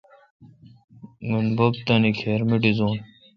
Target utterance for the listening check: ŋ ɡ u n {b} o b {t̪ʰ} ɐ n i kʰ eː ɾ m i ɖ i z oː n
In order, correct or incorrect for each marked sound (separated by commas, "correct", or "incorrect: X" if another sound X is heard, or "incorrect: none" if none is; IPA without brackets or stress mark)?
correct, incorrect: t̪